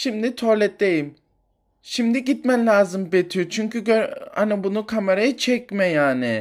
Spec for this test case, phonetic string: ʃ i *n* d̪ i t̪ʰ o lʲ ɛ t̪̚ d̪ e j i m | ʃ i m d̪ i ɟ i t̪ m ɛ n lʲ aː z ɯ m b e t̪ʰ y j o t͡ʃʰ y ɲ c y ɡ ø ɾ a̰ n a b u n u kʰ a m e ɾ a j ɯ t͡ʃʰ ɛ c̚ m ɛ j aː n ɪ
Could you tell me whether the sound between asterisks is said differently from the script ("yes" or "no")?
yes